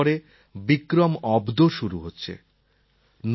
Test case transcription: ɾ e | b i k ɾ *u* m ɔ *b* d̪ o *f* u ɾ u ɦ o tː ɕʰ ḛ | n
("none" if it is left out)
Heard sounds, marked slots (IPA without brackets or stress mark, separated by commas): o, b, ʃ